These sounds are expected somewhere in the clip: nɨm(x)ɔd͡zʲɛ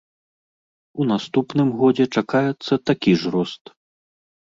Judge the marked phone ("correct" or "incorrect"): incorrect